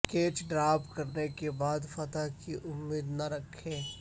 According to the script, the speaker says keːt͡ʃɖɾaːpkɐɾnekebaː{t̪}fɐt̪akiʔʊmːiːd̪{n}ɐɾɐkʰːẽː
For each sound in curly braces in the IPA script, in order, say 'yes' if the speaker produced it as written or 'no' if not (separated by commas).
no, yes